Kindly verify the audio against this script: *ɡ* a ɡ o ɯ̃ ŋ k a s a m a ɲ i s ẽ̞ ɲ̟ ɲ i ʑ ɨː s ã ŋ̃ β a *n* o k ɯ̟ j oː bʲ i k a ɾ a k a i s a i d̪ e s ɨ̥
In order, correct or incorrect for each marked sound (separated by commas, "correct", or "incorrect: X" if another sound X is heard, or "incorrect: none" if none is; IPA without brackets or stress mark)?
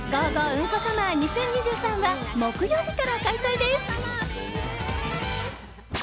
correct, incorrect: m